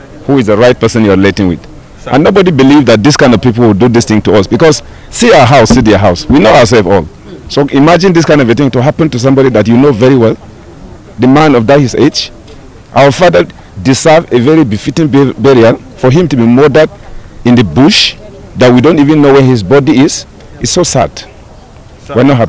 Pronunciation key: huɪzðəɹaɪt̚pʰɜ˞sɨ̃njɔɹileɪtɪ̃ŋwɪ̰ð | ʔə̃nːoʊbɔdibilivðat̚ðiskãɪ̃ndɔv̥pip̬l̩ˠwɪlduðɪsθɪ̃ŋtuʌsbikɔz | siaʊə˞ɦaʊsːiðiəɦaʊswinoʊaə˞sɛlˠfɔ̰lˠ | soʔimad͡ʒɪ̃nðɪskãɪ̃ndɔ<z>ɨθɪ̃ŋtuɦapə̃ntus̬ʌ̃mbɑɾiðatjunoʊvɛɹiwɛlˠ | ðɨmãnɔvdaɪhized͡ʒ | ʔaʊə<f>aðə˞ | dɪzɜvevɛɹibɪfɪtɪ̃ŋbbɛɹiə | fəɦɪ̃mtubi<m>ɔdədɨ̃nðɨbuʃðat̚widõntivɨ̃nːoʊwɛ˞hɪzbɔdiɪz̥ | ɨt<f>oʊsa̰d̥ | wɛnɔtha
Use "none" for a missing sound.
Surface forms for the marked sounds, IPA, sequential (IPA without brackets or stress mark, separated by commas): v, f, m, s